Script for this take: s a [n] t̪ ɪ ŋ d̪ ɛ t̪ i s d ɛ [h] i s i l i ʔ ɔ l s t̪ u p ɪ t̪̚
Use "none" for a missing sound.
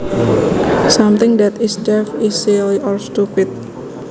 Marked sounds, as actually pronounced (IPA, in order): m, f

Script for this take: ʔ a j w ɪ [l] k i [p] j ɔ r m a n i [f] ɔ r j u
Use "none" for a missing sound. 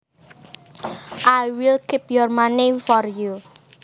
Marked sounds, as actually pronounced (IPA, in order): l, p, f

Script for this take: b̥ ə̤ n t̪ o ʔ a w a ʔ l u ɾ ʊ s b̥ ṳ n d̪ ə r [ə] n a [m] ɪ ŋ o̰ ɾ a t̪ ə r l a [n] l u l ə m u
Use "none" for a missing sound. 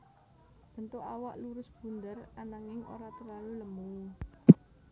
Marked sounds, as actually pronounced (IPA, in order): a, ŋ, none

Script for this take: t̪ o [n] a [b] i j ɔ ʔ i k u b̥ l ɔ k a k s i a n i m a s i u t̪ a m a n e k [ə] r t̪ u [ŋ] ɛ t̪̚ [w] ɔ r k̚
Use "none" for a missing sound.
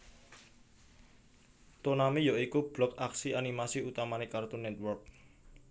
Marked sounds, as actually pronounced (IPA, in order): n, m, a, n, w

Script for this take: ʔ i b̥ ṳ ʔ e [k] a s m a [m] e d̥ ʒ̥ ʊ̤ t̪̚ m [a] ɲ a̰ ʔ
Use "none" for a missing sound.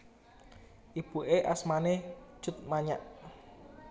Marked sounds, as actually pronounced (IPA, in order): ʔ, n, a

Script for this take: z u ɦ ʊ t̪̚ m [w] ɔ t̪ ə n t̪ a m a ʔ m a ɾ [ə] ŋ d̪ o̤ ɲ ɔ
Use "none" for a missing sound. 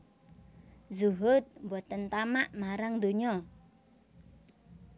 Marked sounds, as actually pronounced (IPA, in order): b, a

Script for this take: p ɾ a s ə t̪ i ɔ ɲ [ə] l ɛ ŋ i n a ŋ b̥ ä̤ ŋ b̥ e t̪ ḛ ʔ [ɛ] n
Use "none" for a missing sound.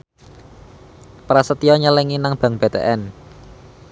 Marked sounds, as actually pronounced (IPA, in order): ə, ɛ

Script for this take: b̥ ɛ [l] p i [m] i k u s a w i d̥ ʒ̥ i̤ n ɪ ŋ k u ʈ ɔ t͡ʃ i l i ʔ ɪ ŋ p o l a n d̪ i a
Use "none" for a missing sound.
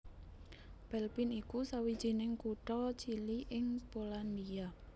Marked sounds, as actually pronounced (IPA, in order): l, n

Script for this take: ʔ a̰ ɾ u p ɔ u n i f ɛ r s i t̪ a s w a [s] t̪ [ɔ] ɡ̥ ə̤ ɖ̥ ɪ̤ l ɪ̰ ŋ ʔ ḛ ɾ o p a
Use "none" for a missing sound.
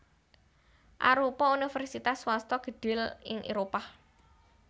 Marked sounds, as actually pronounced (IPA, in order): s, ɔ

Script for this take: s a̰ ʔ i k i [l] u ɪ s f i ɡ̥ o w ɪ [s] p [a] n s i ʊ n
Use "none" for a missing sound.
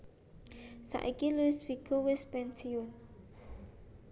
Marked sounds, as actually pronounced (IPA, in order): l, s, ɛ

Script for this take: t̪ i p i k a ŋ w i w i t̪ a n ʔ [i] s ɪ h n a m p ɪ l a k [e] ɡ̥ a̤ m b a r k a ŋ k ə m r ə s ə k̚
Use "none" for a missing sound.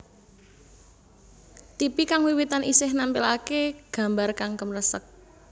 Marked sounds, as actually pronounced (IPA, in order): i, e

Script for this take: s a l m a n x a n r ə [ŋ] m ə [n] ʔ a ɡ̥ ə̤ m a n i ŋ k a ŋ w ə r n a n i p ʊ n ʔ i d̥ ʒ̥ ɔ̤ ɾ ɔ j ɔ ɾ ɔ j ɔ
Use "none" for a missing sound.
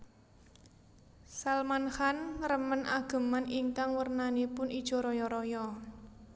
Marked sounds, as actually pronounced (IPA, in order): none, n

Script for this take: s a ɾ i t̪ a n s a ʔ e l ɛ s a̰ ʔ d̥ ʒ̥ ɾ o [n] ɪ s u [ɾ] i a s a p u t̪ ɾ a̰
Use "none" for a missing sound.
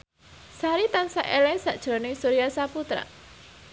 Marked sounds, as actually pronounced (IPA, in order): n, ɾ

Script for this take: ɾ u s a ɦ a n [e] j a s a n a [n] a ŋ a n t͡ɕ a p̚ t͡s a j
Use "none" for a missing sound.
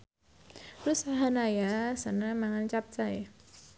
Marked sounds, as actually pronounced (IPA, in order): a, m

